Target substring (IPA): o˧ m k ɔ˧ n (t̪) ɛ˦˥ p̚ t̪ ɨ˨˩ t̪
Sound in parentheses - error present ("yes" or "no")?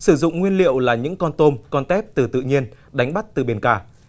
no